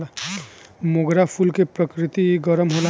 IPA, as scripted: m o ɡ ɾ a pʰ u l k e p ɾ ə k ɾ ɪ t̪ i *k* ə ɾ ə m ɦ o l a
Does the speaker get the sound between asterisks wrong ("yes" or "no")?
yes